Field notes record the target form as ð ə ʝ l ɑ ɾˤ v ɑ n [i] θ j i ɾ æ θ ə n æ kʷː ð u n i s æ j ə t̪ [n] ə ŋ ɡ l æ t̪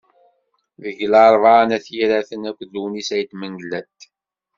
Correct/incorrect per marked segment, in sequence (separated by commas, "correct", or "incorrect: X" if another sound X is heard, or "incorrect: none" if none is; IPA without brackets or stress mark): incorrect: æ, incorrect: m